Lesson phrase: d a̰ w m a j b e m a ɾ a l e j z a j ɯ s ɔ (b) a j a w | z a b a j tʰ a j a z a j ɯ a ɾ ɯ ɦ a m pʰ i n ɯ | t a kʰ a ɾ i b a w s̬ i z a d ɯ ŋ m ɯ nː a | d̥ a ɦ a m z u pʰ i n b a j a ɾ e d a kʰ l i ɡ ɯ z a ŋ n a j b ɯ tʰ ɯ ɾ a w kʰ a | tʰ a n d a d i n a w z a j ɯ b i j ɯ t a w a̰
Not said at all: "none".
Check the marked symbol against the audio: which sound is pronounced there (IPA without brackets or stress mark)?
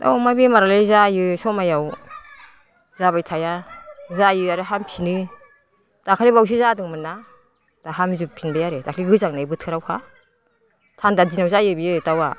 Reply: m